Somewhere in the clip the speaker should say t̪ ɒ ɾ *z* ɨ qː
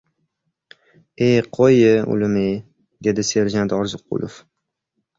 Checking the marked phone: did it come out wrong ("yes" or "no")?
no